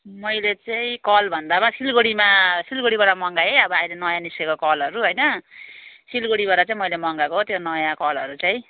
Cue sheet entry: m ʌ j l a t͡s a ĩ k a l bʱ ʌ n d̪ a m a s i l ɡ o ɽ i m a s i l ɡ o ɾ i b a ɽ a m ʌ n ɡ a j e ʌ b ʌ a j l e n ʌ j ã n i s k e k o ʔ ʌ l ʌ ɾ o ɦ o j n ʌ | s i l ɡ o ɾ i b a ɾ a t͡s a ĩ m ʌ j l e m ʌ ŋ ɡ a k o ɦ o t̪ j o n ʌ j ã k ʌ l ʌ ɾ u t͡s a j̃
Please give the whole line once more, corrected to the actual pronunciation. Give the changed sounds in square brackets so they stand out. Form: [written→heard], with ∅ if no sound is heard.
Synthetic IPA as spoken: m ʌ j l [a→e] t͡s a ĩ k [a→ʌ] l bʱ ʌ n d̪ a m a s i l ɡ o ɽ i m a s i l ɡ o [ɾ→ɽ] i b a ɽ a m ʌ [n→ŋ] ɡ a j e ʌ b ʌ a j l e n ʌ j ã n i s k e k o [ʔ→k] ʌ l ʌ ɾ [o→u] ɦ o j n ʌ | s i l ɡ o [ɾ→ɽ] i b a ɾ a t͡s a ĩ m ʌ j l e m ʌ ŋ ɡ a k o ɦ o t̪ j o n ʌ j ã k ʌ l ʌ ɾ u t͡s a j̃